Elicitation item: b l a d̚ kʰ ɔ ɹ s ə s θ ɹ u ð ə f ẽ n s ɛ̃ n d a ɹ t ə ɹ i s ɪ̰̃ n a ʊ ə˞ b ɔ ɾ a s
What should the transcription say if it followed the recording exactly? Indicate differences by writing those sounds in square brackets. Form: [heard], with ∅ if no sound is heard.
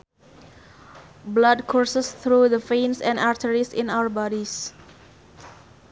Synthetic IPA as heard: b l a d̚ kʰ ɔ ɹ s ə s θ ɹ u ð ə f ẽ n s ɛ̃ n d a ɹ t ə ɹ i s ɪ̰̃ n a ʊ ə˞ b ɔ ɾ [i] s